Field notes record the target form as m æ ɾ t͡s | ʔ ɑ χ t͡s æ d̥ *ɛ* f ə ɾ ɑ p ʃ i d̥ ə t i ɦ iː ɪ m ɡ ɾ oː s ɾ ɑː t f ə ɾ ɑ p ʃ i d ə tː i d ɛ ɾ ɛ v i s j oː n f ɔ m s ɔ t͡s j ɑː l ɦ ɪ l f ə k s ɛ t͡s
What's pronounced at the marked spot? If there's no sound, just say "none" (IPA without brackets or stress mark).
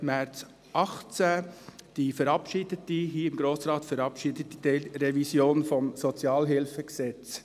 i